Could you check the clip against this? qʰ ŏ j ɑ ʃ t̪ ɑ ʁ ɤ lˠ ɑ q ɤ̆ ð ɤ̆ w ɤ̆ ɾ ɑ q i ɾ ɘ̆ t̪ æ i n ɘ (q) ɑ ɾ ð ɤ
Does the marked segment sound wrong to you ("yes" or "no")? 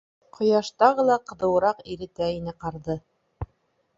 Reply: no